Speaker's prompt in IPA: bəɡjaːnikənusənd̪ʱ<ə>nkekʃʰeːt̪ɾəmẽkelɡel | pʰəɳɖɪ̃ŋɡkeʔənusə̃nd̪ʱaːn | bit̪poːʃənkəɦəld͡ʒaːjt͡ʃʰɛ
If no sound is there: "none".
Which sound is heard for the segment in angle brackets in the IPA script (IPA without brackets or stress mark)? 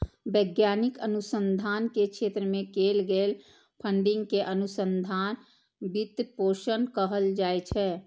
a